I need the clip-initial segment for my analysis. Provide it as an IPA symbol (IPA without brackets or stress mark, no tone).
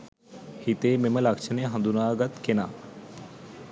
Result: h